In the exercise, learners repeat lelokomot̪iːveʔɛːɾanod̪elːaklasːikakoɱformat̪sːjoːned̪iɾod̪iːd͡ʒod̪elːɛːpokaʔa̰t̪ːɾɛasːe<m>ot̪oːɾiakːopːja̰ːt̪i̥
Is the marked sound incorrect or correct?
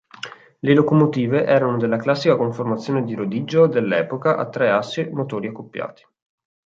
correct